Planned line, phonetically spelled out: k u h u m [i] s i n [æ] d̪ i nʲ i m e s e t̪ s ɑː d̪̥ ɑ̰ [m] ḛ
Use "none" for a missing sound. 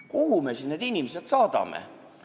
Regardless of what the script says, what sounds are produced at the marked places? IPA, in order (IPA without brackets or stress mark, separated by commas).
e, e, m